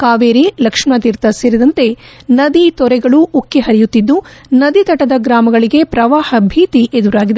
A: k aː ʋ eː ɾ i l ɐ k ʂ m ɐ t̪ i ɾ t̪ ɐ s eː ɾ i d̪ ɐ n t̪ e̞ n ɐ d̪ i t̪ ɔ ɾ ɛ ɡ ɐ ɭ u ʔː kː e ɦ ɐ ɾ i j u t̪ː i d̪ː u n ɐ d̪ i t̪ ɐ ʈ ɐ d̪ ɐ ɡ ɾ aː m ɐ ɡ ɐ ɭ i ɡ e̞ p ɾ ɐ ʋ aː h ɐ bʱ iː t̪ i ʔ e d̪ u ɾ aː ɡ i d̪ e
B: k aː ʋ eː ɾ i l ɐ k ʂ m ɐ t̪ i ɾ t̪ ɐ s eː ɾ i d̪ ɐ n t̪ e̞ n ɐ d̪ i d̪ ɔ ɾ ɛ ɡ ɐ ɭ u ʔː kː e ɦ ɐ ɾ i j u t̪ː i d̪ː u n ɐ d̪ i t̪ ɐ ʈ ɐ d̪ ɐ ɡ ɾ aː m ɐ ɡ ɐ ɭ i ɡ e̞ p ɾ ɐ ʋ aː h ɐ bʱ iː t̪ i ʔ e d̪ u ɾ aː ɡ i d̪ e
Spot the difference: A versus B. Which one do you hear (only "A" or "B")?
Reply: A